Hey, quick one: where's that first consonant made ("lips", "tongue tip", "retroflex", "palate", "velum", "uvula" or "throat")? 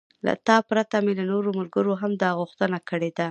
tongue tip